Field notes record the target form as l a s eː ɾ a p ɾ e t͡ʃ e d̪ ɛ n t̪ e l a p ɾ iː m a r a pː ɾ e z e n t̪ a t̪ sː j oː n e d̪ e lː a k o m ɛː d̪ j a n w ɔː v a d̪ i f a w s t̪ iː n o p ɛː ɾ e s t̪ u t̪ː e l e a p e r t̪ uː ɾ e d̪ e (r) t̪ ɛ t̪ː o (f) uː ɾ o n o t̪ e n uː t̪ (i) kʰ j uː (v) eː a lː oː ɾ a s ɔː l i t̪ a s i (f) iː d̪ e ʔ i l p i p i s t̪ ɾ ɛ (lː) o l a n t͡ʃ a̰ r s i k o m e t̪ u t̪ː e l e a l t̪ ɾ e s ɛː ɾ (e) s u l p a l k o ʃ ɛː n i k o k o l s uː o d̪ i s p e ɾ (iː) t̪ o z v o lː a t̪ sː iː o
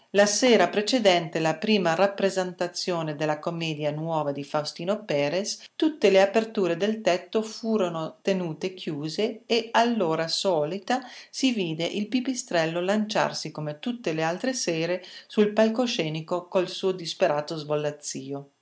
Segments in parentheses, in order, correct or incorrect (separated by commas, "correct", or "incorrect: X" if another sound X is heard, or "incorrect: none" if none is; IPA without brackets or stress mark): incorrect: l, correct, incorrect: e, incorrect: z, incorrect: v, correct, correct, incorrect: aː